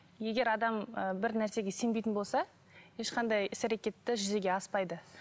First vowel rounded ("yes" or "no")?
no